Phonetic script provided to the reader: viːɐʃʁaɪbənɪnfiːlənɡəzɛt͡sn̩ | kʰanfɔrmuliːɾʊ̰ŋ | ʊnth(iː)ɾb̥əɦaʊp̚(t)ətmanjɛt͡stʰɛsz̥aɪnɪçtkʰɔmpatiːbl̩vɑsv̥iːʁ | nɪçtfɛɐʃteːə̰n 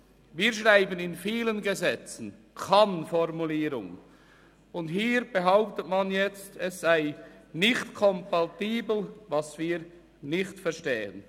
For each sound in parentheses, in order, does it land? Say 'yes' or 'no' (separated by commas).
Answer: yes, yes